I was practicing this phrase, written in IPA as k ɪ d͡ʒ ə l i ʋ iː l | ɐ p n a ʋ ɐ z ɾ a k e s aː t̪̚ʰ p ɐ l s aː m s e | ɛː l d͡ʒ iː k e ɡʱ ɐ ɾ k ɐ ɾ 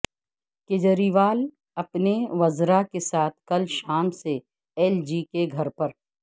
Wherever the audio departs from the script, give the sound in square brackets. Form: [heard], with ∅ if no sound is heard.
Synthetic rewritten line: k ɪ d͡ʒ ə [ɾ] i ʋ [aː] l | ɐ p n [e] ʋ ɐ z ɾ a k e s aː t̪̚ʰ [k] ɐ l [ʃ] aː m s e | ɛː l d͡ʒ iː k e ɡʱ ɐ ɾ [p] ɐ ɾ